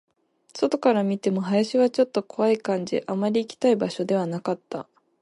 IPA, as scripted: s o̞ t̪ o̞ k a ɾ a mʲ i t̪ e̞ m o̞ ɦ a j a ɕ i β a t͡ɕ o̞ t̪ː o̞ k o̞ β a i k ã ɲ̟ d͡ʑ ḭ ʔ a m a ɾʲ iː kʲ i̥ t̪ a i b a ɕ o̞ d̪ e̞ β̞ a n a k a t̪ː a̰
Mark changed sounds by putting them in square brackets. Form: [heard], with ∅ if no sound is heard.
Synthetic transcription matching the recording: s o̞ t̪ o̞ k a ɾ a mʲ i t̪ e̞ m o̞ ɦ a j a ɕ i β a t͡ɕ o̞ t̪ː o̞ k o̞ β a i k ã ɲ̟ d͡ʑ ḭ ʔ a m a ɾʲ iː kʲ i̥ t̪ a i b a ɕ o̞ d̪ e̞ β̞ a n a k a t̪ː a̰